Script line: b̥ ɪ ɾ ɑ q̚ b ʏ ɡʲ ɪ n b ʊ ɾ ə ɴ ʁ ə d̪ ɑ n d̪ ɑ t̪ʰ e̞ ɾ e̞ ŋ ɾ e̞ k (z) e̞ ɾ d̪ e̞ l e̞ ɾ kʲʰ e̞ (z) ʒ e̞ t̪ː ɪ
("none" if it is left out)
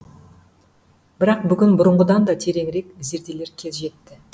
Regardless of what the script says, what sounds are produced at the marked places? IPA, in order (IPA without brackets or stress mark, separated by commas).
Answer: z, z